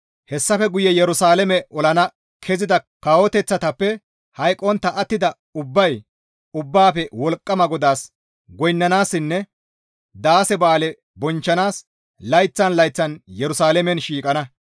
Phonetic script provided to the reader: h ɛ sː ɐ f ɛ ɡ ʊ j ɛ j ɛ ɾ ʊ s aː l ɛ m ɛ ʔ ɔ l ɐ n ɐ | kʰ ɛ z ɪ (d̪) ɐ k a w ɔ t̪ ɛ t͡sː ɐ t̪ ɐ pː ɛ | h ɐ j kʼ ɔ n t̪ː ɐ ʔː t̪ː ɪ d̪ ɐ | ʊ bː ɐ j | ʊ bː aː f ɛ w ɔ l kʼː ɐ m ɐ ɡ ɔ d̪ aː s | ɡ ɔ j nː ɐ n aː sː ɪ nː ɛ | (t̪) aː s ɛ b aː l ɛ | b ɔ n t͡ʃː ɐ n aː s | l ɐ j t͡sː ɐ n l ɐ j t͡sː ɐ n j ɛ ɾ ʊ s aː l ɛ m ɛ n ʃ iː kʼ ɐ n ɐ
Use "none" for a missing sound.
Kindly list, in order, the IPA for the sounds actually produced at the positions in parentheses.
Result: d̪, d̪

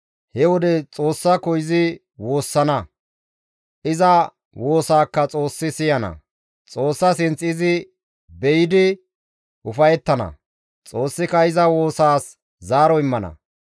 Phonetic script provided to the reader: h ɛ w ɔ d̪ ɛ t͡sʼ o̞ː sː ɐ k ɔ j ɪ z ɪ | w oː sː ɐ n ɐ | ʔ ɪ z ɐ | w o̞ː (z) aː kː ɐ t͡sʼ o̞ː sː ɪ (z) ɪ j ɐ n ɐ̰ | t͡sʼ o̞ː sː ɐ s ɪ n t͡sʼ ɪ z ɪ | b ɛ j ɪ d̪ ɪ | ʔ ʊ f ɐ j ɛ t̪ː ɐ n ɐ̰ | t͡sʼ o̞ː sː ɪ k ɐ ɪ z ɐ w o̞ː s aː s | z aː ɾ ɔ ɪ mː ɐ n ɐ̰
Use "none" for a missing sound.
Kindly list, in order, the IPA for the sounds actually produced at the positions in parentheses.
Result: s, s

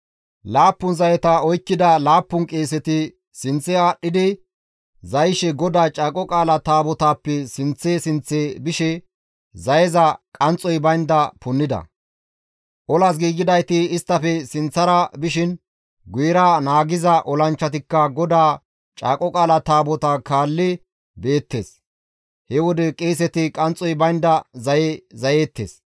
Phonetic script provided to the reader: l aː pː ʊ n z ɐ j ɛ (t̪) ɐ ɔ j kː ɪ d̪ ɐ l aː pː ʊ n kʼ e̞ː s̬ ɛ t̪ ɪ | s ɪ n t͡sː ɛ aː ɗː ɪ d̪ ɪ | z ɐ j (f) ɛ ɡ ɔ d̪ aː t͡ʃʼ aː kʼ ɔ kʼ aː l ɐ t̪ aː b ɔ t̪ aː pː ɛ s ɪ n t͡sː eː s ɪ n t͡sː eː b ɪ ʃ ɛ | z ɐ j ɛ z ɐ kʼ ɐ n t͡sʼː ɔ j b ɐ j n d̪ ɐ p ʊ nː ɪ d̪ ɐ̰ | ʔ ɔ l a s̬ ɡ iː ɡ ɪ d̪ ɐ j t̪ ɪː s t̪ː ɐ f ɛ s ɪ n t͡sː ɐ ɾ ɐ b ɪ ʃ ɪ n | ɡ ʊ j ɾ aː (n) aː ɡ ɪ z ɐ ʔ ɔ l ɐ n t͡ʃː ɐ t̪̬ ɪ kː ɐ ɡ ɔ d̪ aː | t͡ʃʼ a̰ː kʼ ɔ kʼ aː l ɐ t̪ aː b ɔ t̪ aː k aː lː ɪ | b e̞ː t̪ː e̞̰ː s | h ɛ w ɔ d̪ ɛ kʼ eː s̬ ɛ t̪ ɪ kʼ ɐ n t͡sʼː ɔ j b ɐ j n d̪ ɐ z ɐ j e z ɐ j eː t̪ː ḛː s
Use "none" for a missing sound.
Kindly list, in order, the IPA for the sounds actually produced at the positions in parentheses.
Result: t̪, ʃ, n

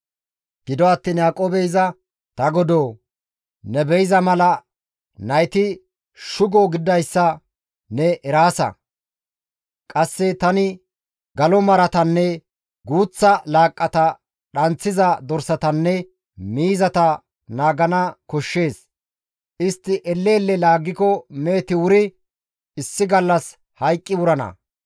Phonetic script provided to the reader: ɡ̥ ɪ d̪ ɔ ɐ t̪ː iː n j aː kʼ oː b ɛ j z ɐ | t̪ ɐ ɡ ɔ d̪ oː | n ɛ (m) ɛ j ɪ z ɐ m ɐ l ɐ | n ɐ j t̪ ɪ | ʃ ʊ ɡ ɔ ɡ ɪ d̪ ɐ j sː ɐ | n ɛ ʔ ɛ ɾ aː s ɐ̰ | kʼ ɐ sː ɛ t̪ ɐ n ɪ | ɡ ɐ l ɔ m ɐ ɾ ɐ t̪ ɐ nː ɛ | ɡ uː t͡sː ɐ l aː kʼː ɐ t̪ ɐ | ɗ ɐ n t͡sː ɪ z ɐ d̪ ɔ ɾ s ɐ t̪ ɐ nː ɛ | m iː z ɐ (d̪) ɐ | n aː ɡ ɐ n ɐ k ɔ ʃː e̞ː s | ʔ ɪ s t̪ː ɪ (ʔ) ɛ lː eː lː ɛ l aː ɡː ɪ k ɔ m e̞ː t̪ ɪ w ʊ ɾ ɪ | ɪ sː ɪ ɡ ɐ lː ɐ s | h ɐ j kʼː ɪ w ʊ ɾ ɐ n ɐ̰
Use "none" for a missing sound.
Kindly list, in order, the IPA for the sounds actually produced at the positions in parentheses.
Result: b, t̪, ʔ

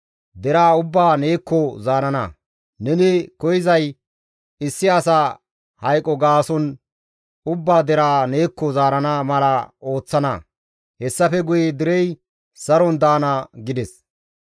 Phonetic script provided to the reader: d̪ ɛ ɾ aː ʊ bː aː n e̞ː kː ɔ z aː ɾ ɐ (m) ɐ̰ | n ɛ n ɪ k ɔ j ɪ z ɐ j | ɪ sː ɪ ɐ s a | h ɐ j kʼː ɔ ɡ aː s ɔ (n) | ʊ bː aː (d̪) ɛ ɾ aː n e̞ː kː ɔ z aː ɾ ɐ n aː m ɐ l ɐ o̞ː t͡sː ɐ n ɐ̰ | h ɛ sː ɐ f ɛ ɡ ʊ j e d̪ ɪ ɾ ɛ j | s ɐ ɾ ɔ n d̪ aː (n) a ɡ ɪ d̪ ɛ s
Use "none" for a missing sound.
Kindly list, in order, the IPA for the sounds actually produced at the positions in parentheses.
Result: n, n, d̪, n

